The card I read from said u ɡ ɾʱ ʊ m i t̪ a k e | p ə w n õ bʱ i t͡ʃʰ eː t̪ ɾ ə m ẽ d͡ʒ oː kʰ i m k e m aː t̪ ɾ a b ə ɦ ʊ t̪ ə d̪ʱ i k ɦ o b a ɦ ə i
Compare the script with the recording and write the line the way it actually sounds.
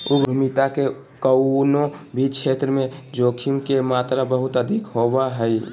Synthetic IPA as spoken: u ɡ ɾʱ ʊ m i t̪ a k e | k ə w n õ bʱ i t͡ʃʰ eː t̪ ɾ ə m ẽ d͡ʒ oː kʰ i m k e m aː t̪ ɾ a b ə ɦ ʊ t̪ ə d̪ʱ i k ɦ o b a ɦ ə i